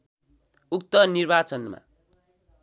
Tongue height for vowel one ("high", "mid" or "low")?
high